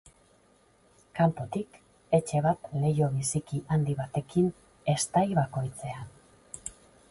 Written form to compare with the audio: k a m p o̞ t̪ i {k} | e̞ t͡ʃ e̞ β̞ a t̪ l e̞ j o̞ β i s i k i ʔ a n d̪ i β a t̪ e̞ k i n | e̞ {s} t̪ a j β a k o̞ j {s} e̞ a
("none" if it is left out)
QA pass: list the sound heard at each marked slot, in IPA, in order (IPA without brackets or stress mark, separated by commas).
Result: k, s, t͡s